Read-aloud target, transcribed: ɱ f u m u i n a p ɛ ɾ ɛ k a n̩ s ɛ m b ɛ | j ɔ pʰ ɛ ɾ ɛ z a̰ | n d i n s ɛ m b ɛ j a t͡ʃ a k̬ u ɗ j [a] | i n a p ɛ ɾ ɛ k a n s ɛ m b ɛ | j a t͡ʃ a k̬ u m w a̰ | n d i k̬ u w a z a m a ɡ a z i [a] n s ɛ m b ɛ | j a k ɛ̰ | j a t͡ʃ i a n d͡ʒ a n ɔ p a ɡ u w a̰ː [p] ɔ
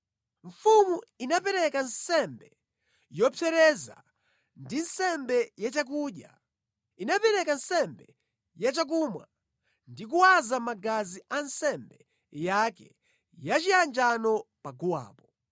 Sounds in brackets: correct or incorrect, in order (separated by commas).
correct, correct, correct